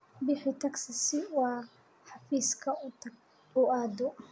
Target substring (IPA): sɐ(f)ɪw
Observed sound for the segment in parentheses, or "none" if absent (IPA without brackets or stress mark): s